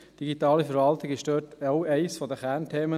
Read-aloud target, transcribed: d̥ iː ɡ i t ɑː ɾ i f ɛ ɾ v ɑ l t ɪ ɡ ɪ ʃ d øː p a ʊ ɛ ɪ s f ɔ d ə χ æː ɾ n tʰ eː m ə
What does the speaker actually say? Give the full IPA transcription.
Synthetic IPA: d̥ i ɡ i t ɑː l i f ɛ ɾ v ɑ l t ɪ ɡ ɪ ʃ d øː t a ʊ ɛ ɪ s f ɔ d ə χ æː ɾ n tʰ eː m ə